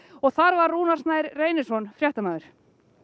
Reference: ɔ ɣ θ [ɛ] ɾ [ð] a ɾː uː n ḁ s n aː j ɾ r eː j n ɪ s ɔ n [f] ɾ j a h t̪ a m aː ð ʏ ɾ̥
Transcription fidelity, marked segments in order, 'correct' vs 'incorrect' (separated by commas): incorrect, incorrect, correct